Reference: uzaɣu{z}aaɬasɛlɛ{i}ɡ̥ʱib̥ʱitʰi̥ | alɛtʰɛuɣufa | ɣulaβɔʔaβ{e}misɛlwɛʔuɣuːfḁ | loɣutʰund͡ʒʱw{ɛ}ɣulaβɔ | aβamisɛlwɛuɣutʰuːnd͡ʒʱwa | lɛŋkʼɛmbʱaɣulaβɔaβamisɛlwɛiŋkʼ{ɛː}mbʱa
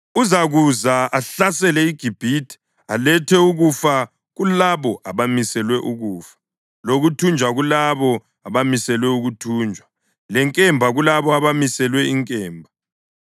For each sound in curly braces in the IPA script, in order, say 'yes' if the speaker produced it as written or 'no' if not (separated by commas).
yes, yes, no, no, yes